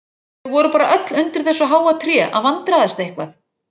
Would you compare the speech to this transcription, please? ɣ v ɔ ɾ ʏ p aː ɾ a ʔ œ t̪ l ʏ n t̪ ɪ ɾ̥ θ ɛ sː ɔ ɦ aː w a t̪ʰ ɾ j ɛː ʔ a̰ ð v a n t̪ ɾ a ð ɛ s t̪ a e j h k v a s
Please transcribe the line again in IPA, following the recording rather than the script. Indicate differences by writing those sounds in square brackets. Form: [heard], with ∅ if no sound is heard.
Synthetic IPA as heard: ɣ v ɔ ɾ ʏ p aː ɾ a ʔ œ t̪ l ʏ n t̪ ɪ ɾ̥ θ ɛ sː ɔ ɦ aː w a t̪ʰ ɾ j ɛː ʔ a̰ ð v a n t̪ ɾ a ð ɛ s t̪ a e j h k v a [θ]